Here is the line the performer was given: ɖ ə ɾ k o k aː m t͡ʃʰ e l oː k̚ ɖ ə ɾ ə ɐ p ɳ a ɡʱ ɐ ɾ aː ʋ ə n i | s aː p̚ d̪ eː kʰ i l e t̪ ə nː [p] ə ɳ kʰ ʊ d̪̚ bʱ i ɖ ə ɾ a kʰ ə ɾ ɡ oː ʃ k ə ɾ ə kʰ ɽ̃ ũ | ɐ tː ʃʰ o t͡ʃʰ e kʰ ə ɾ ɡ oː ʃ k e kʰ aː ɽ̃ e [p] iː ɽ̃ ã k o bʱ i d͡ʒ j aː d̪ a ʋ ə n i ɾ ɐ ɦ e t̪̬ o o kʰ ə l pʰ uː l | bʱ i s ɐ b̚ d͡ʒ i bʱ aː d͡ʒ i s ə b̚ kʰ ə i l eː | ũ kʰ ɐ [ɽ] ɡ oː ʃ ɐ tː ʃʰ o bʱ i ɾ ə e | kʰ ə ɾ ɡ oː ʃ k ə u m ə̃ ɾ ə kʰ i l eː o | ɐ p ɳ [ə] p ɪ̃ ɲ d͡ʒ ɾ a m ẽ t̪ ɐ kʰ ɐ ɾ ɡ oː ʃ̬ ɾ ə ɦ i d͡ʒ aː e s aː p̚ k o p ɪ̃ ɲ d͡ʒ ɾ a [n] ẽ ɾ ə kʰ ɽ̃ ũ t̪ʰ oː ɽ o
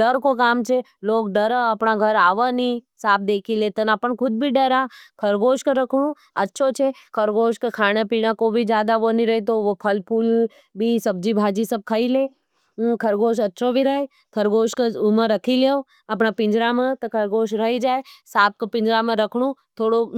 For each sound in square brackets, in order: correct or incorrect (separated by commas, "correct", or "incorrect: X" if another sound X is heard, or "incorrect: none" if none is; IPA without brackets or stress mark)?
correct, correct, incorrect: ɾ, incorrect: a, incorrect: m